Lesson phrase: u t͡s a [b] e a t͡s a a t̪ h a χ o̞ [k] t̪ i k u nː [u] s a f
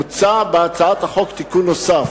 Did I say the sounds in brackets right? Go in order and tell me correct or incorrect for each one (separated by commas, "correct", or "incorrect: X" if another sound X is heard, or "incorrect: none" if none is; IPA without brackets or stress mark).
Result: correct, correct, incorrect: o